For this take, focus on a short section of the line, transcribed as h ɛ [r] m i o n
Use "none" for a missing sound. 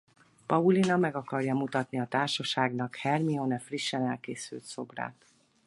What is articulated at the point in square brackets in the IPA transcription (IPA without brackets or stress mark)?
r